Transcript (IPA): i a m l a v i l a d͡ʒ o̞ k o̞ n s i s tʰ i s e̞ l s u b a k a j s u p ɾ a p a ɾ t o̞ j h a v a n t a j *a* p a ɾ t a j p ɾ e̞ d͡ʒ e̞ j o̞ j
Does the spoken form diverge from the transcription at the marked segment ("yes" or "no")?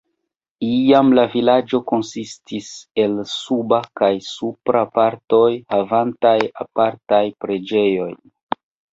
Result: no